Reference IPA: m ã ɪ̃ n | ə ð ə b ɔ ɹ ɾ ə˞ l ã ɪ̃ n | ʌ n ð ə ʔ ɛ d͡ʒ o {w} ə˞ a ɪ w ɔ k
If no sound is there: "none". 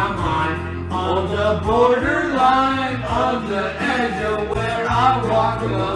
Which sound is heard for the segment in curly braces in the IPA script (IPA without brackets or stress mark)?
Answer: w